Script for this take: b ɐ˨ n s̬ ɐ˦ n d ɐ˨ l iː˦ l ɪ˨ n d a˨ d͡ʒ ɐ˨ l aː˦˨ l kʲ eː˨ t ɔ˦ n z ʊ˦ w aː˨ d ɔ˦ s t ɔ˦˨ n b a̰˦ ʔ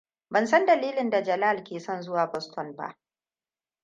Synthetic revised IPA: b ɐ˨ n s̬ ɐ˦ n d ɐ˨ l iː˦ l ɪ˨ n d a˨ d͡ʒ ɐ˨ l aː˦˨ l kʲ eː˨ s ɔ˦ n z ʊ˦ w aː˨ b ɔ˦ s t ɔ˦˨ n b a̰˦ ʔ